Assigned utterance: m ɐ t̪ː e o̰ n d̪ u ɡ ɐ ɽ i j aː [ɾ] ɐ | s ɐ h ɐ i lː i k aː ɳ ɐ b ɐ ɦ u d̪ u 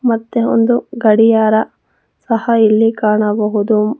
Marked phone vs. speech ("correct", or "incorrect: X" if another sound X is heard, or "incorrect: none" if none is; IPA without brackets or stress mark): correct